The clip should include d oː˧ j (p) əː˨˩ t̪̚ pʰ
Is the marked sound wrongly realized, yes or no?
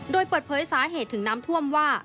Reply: no